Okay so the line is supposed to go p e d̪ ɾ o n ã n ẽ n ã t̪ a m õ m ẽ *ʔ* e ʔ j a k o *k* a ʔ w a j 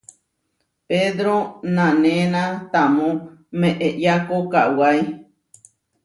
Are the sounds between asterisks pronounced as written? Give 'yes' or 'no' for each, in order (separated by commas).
yes, yes